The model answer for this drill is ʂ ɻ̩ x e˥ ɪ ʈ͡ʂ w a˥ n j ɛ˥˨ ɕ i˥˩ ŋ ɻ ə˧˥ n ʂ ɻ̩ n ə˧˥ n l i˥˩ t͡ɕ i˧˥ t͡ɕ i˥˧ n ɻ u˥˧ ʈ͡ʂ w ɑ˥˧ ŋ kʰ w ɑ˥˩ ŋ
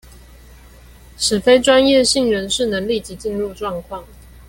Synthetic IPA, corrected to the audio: ʂ ɻ̩ f e˥ ɪ ʈ͡ʂ w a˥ n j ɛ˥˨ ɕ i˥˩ ŋ ɻ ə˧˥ n ʂ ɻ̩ n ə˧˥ ŋ l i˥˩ t͡ɕ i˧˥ t͡ɕ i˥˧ n ɻ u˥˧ ʈ͡ʂ w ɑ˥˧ ŋ kʰ w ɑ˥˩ ŋ